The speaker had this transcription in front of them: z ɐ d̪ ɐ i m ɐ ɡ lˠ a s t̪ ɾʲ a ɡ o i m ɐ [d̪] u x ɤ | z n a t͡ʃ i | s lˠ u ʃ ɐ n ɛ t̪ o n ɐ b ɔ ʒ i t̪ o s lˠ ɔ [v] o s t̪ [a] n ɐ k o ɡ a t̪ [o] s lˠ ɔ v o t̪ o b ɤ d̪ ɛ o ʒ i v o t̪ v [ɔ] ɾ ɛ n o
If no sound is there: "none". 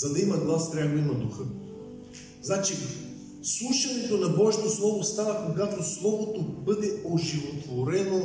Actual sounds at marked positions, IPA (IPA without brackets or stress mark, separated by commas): d̪, v, a, o, o